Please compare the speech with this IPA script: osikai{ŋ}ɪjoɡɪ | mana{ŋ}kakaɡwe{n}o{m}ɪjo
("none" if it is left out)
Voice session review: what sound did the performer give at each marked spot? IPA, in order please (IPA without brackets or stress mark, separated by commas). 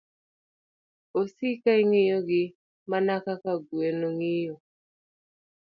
ŋ, none, n, ŋ